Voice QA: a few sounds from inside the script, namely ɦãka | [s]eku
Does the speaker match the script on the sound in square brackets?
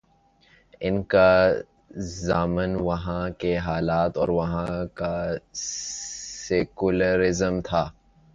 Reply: yes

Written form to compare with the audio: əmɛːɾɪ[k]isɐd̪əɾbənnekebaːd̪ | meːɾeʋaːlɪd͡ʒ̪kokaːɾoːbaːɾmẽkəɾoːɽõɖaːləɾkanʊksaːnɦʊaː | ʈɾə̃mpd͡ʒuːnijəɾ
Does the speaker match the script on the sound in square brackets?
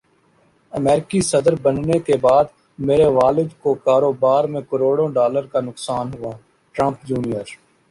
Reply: yes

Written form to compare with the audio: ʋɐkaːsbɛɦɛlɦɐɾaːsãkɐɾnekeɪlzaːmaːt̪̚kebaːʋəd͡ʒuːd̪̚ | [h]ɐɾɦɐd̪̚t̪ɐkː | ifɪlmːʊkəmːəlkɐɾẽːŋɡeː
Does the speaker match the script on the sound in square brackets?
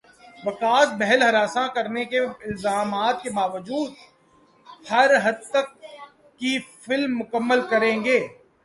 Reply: yes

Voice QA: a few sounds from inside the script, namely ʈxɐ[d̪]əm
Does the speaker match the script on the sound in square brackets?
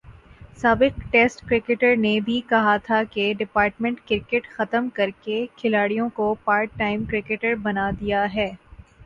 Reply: no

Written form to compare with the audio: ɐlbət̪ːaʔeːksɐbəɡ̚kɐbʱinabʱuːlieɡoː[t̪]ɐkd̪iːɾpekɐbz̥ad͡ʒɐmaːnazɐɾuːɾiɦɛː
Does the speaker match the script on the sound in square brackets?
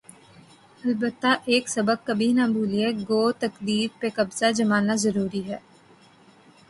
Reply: yes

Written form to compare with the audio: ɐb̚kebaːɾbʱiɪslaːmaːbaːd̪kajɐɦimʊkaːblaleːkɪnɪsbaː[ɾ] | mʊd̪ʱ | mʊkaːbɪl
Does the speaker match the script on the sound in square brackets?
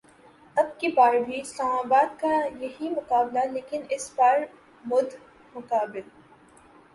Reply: yes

